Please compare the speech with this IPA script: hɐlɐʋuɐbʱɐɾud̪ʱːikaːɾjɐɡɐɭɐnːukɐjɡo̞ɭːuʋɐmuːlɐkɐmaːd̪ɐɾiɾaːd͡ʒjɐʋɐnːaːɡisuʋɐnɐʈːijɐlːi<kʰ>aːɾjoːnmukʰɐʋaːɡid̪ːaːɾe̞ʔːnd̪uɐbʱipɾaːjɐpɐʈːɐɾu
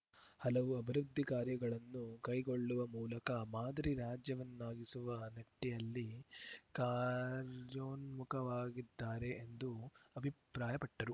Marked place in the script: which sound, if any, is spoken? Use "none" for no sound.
k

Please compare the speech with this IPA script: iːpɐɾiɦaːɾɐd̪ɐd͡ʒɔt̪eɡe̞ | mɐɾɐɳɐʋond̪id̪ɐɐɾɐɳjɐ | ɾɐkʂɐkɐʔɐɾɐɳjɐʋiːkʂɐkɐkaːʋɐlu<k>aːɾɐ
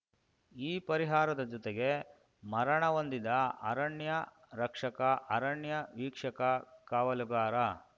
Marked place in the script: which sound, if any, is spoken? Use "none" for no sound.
ɡ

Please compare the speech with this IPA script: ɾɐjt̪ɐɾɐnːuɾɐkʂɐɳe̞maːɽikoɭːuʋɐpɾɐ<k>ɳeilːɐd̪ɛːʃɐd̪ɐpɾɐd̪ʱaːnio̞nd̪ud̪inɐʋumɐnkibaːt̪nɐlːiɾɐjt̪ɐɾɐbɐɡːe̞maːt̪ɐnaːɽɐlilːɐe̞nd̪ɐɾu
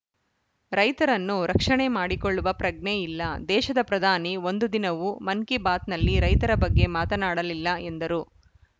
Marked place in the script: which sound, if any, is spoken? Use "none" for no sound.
ɡ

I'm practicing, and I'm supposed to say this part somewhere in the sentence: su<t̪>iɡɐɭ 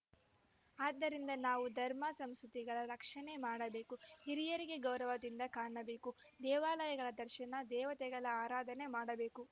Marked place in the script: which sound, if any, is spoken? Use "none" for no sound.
t̪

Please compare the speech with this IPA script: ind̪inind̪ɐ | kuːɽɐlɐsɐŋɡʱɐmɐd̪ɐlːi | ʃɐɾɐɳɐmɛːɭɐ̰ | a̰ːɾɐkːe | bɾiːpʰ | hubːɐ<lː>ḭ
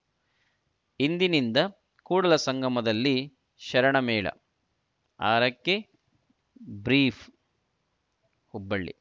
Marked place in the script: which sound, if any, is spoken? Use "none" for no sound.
ɭː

